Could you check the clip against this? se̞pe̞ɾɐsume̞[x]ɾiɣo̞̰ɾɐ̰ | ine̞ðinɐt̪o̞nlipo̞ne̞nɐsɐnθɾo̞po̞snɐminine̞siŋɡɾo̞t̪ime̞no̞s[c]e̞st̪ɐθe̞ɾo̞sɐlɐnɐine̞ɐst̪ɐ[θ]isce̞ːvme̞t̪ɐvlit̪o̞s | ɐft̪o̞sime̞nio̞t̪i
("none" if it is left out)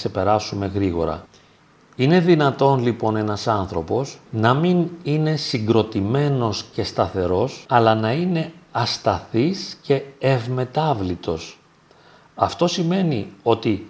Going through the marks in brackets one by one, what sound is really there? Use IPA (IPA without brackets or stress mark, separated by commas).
ɣ, c, θ